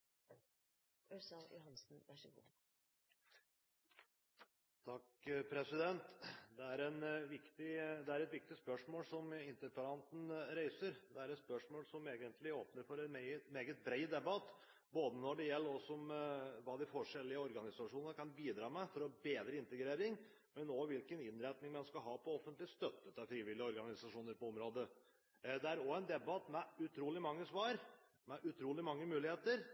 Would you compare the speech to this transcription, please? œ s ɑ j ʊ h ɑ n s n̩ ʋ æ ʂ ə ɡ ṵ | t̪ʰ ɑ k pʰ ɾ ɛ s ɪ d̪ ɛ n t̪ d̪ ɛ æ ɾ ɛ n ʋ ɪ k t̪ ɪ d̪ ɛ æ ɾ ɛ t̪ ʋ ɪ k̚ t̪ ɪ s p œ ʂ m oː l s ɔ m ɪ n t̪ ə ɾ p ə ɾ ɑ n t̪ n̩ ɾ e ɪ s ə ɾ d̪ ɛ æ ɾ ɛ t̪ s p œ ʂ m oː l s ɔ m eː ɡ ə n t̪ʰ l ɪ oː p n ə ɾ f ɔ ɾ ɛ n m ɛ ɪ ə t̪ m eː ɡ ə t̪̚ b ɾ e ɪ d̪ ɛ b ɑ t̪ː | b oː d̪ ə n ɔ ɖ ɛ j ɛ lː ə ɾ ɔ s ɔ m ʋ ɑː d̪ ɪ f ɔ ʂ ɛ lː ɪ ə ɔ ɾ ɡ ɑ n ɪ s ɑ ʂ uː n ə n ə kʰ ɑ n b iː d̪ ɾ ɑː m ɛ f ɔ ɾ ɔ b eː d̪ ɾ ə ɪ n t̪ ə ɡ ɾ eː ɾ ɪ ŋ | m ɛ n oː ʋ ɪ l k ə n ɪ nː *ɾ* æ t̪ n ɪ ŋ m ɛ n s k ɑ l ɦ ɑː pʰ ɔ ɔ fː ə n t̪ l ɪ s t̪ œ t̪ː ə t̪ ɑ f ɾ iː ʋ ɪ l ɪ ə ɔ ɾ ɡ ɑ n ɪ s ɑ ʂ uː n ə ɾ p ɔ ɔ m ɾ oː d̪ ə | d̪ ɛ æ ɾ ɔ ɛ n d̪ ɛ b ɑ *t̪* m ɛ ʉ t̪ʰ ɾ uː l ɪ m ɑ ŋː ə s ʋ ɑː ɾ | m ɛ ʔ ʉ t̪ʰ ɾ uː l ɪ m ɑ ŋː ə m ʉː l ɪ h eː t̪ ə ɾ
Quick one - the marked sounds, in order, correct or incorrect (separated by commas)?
correct, correct